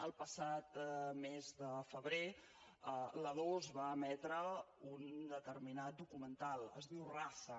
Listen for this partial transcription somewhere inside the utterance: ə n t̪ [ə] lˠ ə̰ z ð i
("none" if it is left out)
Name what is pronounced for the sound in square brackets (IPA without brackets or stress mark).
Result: a